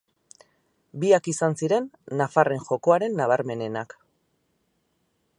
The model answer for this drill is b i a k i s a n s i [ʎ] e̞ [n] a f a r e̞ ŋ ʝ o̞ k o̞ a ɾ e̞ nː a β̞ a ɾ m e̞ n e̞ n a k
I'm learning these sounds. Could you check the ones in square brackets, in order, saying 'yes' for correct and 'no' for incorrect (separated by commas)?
no, no